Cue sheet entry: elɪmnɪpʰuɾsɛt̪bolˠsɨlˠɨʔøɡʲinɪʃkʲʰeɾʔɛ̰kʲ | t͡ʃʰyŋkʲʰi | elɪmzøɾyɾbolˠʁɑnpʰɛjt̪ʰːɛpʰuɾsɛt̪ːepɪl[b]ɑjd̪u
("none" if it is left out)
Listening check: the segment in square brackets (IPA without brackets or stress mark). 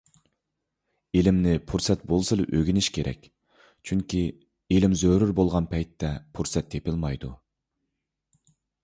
m